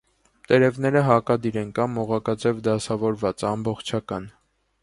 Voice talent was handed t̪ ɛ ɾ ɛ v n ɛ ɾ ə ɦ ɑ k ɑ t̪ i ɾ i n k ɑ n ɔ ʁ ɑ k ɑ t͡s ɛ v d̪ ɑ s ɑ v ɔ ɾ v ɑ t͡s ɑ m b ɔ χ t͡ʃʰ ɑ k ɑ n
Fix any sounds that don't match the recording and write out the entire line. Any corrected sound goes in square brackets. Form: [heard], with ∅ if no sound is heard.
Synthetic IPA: t̪ ɛ ɾ ɛ v n ɛ ɾ ə ɦ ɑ k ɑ [d̪] i ɾ [ɛ] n k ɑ [m] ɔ ʁ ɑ k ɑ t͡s ɛ v d̪ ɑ s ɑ v ɔ ɾ v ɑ t͡s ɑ m b ɔ χ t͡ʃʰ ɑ k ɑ n